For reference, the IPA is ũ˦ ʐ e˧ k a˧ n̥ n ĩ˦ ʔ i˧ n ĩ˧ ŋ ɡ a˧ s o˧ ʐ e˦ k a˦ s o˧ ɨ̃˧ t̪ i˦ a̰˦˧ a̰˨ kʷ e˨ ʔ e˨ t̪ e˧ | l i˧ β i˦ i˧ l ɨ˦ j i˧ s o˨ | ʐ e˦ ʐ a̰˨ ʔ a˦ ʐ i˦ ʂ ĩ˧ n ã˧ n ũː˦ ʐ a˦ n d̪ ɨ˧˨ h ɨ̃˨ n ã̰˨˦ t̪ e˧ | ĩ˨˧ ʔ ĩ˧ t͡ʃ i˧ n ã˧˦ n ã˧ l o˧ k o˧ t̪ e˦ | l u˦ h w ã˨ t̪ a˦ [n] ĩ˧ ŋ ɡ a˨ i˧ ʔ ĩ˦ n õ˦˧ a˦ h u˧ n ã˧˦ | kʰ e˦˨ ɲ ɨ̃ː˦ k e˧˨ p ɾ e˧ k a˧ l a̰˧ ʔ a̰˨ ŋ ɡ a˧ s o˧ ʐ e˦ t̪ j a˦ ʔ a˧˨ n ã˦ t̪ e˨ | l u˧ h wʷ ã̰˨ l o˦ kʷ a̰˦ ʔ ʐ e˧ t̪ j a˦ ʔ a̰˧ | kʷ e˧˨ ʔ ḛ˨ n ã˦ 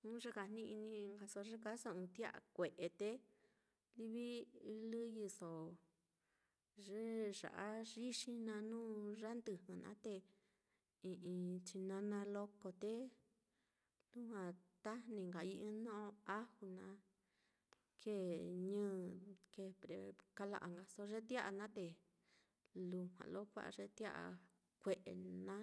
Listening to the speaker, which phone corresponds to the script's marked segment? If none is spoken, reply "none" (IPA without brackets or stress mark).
n